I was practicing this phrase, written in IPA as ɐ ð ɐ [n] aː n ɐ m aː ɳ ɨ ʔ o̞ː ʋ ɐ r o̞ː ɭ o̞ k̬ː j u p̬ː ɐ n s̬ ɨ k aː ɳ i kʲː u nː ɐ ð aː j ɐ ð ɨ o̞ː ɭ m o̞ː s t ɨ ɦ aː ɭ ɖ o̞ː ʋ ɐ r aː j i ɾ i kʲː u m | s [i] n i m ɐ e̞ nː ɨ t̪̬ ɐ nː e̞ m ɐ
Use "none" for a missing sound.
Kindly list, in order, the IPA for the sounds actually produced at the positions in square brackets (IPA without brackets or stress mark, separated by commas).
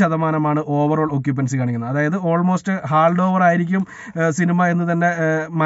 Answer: m, i